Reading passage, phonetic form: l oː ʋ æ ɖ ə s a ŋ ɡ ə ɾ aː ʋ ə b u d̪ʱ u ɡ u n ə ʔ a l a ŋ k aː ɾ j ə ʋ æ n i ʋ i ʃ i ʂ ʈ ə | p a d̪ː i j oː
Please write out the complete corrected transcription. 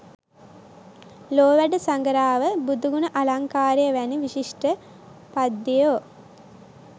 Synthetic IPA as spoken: l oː ʋ æ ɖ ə s a ŋ ɡ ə ɾ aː ʋ ə b u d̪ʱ u ɡ u n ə ʔ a l a ŋ k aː ɾ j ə ʋ æ n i ʋ i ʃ i ʂ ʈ ə | p a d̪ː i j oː